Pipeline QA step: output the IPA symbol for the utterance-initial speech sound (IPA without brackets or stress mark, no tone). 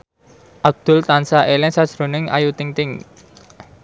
ʔ